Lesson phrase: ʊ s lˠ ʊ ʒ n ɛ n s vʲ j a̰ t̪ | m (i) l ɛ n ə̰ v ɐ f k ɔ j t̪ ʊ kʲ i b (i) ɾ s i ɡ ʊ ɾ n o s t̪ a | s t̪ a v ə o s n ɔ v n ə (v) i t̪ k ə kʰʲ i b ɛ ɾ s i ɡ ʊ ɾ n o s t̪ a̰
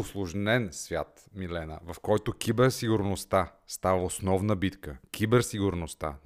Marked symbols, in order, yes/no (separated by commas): yes, no, no